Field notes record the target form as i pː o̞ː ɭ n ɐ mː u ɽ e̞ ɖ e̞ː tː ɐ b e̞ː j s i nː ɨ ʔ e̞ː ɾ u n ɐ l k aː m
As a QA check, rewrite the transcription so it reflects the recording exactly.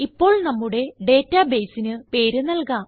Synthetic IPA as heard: i pː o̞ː ɭ n ɐ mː u ɽ e̞ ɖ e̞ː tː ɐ b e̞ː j s i n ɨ p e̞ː ɾ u n ɐ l k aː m

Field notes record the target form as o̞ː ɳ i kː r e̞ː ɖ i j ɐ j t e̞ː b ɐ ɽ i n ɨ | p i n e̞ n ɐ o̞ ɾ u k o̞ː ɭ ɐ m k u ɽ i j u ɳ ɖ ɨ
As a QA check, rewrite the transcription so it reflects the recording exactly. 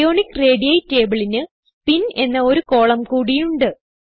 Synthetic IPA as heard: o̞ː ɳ i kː r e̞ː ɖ i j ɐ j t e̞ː b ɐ ɭ i n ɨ | p i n e̞ nː ɐ o̞ ɾ u k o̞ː ɭ ɐ m k uː ɽ i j u ɳ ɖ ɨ

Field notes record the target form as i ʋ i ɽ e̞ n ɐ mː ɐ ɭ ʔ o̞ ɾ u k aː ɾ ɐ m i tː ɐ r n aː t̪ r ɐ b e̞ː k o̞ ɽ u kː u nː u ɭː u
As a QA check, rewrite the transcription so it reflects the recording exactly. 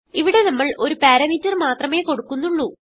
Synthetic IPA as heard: i ʋ i ɽ e̞ n ɐ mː ɐ ɭ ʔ o̞ ɾ u p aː ɾ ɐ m i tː ɐ r m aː t̪ r ɐ m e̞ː k o̞ ɽ u kː u nː u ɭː u

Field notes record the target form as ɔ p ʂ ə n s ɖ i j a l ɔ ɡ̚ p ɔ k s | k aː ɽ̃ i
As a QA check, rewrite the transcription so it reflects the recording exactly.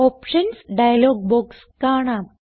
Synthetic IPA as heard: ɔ p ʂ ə n s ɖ a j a l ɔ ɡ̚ b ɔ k s | k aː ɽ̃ a

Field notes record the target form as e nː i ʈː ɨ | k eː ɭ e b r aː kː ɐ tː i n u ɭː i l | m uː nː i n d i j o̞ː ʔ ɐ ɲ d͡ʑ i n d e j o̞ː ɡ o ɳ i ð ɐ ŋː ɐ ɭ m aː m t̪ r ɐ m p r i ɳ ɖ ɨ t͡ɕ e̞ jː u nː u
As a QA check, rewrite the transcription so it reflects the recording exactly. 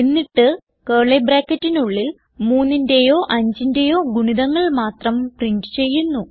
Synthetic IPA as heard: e nː i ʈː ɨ | k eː ɭ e b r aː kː ɐ tː i n u ɭː i l | m uː nː i n d e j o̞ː ʔ ɐ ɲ d͡ʑ i n d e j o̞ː ɡ u ɳ i ð ɐ ŋː ɐ ɭ m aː t̪ r ɐ m p r i ɳ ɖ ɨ t͡ɕ e̞ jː u nː u

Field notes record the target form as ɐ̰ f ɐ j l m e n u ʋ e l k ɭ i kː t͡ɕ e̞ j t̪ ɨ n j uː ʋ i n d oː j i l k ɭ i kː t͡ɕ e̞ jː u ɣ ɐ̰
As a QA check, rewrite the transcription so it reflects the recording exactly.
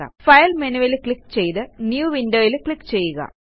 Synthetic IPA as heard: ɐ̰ f ɐ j l m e n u ʋ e l k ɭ i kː t͡ɕ e̞ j t̪ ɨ n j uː ʋ i n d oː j i l k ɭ i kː t͡ɕ e̞ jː u ɣ ɐ̰

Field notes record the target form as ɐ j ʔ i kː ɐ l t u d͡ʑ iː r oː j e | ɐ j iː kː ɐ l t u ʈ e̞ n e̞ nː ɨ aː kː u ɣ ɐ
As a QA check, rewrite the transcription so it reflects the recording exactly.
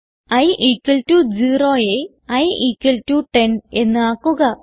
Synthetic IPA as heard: ɐ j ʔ i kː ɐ l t u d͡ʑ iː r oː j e | ɐ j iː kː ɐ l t u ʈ e̞ n e̞ nː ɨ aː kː u ɣ ɐ

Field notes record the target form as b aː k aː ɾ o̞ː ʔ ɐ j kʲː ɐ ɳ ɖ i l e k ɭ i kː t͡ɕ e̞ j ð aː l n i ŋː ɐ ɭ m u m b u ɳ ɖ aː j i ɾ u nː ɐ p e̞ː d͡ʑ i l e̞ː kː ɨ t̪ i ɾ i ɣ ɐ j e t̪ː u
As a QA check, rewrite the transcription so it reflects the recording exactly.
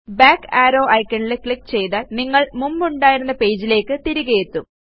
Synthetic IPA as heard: b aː k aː ɾ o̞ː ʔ ɐ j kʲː ɐ ɳ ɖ i l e k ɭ i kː t͡ɕ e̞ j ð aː l n i ŋː ɐ ɭ m u m b u ɳ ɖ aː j i ɾ u nː ɐ p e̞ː d͡ʑ i l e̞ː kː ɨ t̪ i ɾ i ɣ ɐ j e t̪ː u

